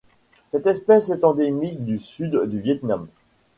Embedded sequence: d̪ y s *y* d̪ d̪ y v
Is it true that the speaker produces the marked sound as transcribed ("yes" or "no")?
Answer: yes